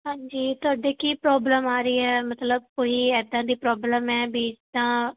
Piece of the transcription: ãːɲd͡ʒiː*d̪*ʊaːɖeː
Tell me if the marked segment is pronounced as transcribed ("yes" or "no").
no